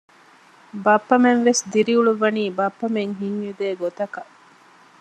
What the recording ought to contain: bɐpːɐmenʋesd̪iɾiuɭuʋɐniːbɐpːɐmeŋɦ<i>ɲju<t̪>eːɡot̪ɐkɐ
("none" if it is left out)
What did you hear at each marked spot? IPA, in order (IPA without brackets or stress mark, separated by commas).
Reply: i, d̪